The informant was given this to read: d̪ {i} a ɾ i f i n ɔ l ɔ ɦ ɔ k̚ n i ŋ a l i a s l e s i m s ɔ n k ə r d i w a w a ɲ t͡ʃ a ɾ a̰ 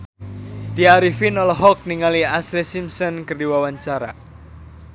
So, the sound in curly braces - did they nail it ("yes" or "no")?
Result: yes